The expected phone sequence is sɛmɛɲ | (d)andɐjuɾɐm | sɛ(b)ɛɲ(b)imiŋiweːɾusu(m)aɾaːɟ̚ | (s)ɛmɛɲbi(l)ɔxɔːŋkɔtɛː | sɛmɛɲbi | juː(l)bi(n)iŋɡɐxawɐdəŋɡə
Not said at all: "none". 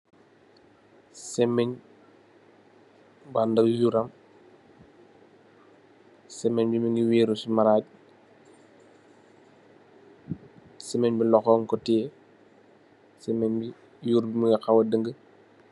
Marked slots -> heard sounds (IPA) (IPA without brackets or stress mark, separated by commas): b, m, b, m, s, l, ɾ, m